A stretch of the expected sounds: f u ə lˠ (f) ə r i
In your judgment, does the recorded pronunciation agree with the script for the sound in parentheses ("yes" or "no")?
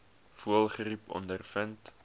no